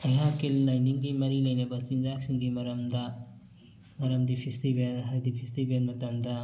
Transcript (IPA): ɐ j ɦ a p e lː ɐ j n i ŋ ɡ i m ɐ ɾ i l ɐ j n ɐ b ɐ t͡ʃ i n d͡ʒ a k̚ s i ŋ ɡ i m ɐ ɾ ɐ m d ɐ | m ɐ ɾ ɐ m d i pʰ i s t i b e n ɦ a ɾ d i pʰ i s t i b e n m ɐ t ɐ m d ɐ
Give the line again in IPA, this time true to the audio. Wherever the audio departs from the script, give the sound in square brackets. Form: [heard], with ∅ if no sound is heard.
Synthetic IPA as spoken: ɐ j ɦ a [k] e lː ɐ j n i ŋ ɡ i m ɐ ɾ i l ɐ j n ɐ b ɐ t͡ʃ i n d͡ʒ a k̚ s i ŋ ɡ i m ɐ ɾ ɐ m d ɐ | m ɐ ɾ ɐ m d i pʰ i s t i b e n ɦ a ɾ d i pʰ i s t i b e n m ɐ t ɐ m d ɐ